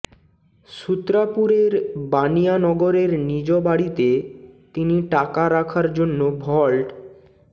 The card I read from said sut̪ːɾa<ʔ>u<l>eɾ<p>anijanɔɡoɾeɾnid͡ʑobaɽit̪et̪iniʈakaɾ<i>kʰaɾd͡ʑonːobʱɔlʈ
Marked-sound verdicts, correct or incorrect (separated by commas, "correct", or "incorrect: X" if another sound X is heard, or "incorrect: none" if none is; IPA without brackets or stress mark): incorrect: p, incorrect: ɾ, incorrect: b, incorrect: a